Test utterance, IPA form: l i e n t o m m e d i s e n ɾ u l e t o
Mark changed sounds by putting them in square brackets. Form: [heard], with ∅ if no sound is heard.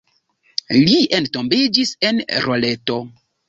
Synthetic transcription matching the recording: l i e n t o m [b] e [d͡ʒ] i s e n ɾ [o] l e t o